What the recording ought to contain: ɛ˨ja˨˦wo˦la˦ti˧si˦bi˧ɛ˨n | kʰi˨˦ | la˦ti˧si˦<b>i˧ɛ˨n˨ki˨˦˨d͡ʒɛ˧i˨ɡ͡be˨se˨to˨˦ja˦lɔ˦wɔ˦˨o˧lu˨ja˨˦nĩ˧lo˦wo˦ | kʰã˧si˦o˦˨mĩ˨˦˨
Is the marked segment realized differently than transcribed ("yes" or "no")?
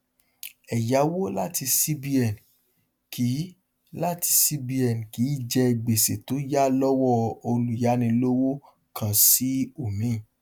no